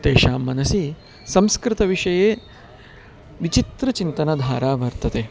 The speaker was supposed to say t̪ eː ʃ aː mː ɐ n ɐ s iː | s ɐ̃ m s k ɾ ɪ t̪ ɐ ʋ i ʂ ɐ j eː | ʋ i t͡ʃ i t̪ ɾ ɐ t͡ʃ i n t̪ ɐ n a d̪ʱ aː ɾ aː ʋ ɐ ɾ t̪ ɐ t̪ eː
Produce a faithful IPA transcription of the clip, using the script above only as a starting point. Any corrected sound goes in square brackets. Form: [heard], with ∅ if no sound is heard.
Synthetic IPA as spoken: t̪ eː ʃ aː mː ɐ n ɐ s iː | s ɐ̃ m s k ɾ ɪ t̪ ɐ ʋ i ʂ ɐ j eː | ʋ i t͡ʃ i t̪ ɾ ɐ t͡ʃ i n t̪ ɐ n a d̪ʱ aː ɾ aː ʋ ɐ ɾ t̪ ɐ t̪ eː